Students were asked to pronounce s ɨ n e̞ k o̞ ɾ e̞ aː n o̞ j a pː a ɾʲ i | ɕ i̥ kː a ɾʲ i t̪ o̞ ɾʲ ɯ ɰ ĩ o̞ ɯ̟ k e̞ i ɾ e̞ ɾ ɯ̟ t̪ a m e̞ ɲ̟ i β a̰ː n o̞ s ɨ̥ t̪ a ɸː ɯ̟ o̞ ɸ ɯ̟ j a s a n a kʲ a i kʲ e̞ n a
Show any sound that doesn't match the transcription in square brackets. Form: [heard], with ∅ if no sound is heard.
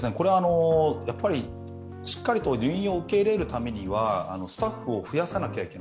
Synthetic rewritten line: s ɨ n e̞ k o̞ ɾ e̞ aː n o̞ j a pː a ɾʲ i | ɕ i̥ kː a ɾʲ i t̪ o̞ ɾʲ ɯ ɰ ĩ o̞ ɯ̟ k e̞ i ɾ e̞ ɾ ɯ̟ t̪ a m e̞ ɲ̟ i β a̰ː n o̞ s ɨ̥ t̪ a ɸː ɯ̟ o̞ ɸ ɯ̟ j a s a n a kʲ a i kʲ e̞ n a

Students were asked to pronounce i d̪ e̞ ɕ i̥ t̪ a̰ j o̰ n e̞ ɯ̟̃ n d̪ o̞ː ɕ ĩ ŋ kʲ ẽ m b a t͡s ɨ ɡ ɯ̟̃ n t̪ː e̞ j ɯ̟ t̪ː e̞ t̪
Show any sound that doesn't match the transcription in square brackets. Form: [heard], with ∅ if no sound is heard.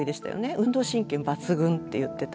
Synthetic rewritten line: i d̪ e̞ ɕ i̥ t̪ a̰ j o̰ n e̞ ɯ̟̃ n d̪ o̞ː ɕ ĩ ŋ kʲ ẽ m b a t͡s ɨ ɡ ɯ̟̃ n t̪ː e̞ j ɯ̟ t̪ː e̞ t̪

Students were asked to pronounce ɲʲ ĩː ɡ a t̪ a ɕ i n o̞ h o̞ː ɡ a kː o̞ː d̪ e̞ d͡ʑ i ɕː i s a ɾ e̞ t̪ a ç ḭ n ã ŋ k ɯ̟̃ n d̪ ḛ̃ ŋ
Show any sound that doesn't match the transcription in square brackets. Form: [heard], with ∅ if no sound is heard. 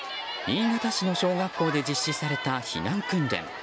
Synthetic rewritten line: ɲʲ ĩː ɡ a t̪ a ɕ i n o̞ [ɕ] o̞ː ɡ a kː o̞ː d̪ e̞ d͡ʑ i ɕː i s a ɾ e̞ t̪ a ç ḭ n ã ŋ k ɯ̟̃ n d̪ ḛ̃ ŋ

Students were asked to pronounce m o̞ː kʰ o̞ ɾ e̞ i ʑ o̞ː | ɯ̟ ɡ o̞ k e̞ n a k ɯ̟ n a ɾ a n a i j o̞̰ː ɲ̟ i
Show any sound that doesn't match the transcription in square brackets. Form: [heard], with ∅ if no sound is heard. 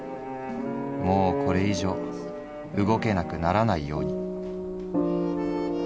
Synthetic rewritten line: m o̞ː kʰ o̞ ɾ e̞ i ʑ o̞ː | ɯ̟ ɡ o̞ k e̞ n a k ɯ̟ n a ɾ a n a i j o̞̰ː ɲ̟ i

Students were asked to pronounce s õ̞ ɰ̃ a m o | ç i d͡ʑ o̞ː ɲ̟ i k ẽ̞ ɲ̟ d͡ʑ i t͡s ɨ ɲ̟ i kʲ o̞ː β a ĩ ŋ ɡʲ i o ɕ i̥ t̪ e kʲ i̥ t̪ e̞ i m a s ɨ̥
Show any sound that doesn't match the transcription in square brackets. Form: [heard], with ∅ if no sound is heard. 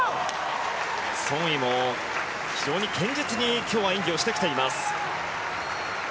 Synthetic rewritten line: s õ̞ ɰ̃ [i] m o | ç i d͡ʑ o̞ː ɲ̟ i k ẽ̞ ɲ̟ d͡ʑ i t͡s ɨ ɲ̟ i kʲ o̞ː β a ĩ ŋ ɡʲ i o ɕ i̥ t̪ e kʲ i̥ t̪ e̞ i m a s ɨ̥

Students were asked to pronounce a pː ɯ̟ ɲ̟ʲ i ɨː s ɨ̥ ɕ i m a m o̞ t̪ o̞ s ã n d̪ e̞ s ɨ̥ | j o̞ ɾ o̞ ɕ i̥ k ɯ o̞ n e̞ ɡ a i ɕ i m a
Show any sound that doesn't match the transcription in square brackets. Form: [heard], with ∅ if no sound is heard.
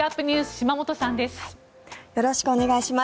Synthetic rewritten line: a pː ɯ̟ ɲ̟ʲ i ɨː s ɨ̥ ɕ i m a m o̞ t̪ o̞ s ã n d̪ e̞ s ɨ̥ | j o̞ ɾ o̞ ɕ i̥ k ɯ o̞ n e̞ ɡ a i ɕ i m a

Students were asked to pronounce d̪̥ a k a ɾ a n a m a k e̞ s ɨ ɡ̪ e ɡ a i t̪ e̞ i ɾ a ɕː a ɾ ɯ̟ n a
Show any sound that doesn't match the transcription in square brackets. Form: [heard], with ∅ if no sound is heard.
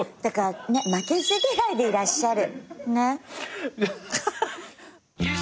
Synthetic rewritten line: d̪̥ a k a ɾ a n [e] m a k e̞ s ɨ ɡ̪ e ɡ a i [d̪] e̞ i ɾ a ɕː a ɾ ɯ̟ n [e]

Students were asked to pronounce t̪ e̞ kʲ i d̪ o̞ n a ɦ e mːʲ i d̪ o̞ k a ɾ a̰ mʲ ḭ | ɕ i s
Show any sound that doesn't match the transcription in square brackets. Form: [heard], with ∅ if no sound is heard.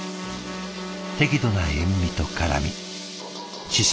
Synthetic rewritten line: t̪ e̞ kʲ i d̪ o̞ n a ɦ e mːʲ i [t̪] o̞ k a ɾ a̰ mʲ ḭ | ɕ i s

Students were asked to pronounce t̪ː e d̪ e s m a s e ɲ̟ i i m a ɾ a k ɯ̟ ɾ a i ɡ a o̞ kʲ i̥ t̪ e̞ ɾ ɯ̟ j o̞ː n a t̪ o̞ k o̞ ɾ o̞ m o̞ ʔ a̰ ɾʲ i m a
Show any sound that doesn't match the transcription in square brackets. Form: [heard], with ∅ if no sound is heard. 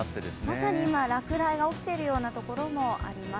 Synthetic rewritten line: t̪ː e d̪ e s m a s [a] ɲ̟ i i m a ɾ a k ɯ̟ ɾ a i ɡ a o̞ kʲ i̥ t̪ e̞ ɾ ɯ̟ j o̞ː n a t̪ o̞ k o̞ ɾ o̞ m o̞ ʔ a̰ ɾʲ i m a

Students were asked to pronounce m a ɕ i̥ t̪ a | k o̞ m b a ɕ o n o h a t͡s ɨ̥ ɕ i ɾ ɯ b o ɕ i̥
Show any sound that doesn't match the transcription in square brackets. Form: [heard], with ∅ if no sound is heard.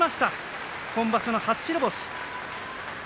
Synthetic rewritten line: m a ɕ i̥ t̪ a | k [õ̞] m b a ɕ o n o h a t͡s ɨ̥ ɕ i ɾ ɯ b o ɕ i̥

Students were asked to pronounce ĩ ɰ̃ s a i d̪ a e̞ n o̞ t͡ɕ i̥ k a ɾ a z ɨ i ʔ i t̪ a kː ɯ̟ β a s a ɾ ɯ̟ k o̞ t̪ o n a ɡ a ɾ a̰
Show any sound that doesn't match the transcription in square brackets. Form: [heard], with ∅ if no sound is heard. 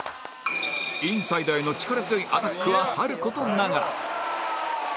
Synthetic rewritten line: ĩ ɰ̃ s a i d̪ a e̞ n o̞ t͡ɕ i̥ k a ɾ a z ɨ i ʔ [a] t̪ a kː ɯ̟ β a s a ɾ ɯ̟ k o̞ t̪ o n a ɡ a ɾ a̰

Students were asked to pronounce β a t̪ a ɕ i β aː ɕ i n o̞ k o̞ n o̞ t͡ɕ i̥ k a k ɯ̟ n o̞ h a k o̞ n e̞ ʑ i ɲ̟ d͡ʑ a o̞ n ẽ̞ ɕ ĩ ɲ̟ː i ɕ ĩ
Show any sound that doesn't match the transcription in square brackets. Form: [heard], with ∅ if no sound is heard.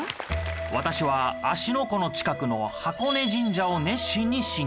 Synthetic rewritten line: β a t̪ a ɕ i β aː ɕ i n o̞ k o̞ n o̞ t͡ɕ i̥ k a k ɯ̟ n o̞ h a k o̞ n e̞ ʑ [ĩ] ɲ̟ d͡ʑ a o̞ n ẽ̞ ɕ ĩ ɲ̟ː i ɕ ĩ

